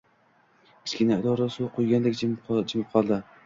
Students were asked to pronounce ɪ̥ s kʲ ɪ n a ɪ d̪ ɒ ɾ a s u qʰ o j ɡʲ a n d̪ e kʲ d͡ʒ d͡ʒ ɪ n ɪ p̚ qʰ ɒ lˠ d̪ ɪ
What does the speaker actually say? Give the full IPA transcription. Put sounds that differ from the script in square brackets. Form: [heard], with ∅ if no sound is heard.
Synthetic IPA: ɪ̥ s kʲ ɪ n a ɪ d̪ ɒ ɾ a s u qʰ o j ɡʲ a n d̪ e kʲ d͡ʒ d͡ʒ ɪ [m] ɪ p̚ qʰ ɒ lˠ d̪ ɪ